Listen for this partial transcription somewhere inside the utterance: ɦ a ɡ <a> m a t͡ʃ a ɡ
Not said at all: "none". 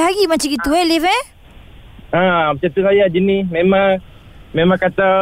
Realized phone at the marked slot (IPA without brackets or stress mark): i